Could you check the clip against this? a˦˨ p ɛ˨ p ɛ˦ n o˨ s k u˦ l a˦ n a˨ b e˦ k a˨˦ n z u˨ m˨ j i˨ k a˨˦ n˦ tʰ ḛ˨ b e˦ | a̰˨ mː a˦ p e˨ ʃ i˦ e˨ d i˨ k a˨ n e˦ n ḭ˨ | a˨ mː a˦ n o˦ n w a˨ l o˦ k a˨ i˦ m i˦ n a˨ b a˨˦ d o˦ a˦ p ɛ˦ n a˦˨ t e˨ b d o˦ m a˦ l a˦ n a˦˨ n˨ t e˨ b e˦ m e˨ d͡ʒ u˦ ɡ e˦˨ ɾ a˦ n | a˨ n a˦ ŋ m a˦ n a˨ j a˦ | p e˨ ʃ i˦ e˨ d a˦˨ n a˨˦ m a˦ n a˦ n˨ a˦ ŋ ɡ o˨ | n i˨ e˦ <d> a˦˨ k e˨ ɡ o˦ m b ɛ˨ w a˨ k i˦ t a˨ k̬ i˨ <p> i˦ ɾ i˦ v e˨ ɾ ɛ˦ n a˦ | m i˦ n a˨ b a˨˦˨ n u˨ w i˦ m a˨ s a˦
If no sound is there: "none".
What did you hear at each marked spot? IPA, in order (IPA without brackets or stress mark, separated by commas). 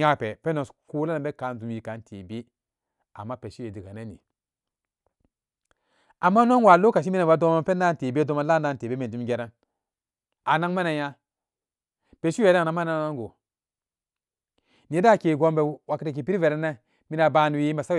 d, p